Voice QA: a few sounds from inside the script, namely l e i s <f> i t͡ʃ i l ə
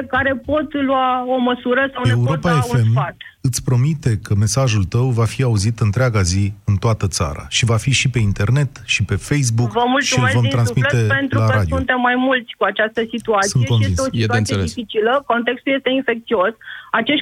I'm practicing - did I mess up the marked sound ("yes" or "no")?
no